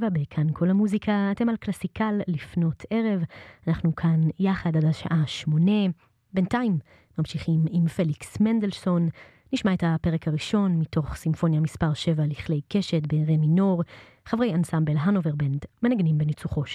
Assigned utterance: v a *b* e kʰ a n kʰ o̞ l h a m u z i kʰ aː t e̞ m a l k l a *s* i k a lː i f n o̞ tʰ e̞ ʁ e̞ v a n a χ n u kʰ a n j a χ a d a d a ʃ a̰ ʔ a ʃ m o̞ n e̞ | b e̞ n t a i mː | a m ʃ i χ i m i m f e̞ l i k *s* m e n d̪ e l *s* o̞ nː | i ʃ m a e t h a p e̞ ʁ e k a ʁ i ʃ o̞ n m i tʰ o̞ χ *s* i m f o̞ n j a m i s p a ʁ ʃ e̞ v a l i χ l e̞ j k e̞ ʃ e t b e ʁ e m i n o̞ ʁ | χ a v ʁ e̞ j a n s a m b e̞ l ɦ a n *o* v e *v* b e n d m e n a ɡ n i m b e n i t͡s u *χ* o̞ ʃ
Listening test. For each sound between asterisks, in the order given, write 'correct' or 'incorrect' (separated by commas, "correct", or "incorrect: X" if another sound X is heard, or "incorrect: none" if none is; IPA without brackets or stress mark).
correct, correct, correct, correct, correct, correct, incorrect: ʁ, correct